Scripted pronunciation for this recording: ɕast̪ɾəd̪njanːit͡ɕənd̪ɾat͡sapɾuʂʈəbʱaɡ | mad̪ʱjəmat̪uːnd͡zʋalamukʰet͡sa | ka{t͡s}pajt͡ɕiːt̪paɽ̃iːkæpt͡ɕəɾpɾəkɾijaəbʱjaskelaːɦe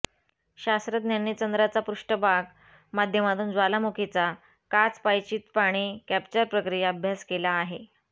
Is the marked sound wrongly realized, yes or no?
no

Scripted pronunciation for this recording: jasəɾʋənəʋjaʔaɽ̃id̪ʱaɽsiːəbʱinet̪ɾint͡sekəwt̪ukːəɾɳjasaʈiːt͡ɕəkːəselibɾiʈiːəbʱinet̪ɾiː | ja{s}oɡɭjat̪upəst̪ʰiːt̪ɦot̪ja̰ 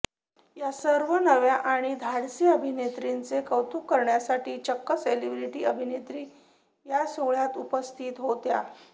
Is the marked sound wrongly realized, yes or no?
no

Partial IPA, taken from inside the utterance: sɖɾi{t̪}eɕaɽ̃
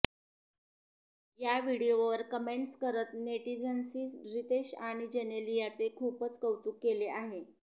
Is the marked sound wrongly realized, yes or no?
no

